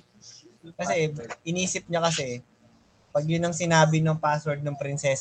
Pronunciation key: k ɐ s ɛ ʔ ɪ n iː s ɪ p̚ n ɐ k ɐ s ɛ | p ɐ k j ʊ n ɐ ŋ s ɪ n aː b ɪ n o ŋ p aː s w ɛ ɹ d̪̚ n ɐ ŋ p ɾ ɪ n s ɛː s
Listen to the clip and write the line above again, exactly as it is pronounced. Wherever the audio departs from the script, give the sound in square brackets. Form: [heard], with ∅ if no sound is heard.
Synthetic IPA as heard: k ɐ s ɛ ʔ ɪ n iː s ɪ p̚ [ɲ] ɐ k ɐ s ɛ | p ɐ [ɡ] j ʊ n ɐ ŋ s ɪ n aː b ɪ n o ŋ p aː s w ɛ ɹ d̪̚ n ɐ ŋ p ɾ ɪ n s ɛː s